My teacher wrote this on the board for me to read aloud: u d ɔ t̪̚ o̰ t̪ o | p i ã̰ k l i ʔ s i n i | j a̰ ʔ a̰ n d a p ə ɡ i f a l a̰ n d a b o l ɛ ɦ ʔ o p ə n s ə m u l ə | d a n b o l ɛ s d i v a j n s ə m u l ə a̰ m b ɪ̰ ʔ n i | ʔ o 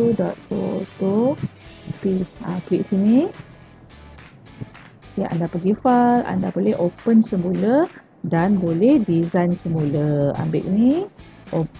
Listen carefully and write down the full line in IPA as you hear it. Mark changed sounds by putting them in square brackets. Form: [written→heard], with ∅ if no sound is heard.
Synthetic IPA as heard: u d ɔ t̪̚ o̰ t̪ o | p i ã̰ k l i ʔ s i n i | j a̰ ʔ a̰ n d a p ə ɡ i f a l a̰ n d a b o l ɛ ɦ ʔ o p ə n s ə m u l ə | d a n b o l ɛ [s→h] d i [v→z] a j n s ə m u l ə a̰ m b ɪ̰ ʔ n i | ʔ o